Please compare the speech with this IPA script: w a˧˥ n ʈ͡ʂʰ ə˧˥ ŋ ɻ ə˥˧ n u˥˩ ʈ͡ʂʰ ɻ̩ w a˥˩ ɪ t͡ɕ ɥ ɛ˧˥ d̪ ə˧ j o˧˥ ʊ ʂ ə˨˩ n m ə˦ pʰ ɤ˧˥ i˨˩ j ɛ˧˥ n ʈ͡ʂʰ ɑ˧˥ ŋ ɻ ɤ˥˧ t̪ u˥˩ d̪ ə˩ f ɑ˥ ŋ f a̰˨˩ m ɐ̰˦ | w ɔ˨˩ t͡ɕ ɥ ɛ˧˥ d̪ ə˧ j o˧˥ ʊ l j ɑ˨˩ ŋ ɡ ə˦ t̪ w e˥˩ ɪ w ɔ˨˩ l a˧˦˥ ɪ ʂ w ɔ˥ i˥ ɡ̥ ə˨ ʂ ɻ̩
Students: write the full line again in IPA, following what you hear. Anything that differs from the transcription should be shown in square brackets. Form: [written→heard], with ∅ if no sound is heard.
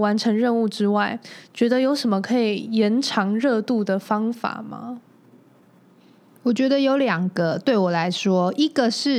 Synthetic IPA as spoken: w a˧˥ n ʈ͡ʂʰ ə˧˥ ŋ ɻ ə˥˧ n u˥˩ [ʈ͡ʂʰ→ʈ͡ʂ] ɻ̩ w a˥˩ ɪ t͡ɕ ɥ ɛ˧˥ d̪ ə˧ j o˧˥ ʊ ʂ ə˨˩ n m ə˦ [pʰ→kʰ] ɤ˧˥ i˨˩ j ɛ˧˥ n ʈ͡ʂʰ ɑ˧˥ ŋ ɻ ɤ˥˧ t̪ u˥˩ d̪ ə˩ f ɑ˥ ŋ f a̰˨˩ m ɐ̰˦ | w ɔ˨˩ t͡ɕ ɥ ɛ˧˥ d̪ ə˧ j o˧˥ ʊ l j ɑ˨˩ ŋ ɡ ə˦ t̪ w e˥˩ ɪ w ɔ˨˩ l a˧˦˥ ɪ ʂ w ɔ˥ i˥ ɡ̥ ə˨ ʂ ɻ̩